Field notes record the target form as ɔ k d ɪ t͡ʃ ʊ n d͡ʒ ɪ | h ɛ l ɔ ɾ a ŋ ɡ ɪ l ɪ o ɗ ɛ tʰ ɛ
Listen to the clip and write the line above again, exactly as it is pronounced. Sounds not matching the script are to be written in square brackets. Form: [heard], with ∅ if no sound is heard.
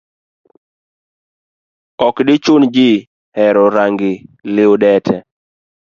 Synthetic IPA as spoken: ɔ k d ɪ t͡ʃ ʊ n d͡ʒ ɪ | h ɛ [ɾ] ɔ ɾ a ŋ ɡ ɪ l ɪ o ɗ ɛ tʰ ɛ